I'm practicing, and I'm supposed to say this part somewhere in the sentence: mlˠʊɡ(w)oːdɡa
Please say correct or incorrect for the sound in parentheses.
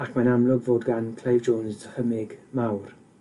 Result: incorrect